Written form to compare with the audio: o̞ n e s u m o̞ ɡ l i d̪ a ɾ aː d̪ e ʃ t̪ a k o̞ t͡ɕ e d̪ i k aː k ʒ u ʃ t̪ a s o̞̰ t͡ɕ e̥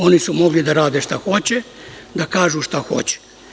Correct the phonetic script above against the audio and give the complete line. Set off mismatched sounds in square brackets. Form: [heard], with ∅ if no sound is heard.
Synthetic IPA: o̞ n [i] s u m o̞ ɡ l i d̪ a ɾ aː d̪ e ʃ t̪ a [x] o̞ t͡ɕ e d̪ [a] k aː [∅] ʒ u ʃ t̪ a [x] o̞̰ t͡ɕ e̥